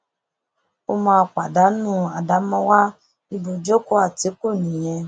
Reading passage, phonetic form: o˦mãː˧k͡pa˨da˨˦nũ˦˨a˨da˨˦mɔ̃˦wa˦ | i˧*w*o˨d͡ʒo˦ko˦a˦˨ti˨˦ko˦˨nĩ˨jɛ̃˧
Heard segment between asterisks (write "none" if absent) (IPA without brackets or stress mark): b